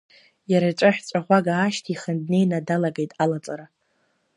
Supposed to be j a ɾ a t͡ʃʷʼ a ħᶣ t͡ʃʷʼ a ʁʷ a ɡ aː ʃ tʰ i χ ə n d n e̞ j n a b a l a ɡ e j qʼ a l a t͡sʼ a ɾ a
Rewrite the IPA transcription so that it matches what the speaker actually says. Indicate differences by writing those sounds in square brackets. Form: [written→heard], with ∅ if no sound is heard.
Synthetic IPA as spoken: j a ɾ a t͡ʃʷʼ a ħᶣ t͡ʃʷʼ a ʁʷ a ɡ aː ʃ tʰ i χ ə n d n e̞ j n a [b→d] a l a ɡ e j [qʼ→tʼ] a l a t͡sʼ a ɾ a